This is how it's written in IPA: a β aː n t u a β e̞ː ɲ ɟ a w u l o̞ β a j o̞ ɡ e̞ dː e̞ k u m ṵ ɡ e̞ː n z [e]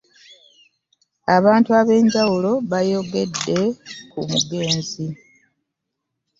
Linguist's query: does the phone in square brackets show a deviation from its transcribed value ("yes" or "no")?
yes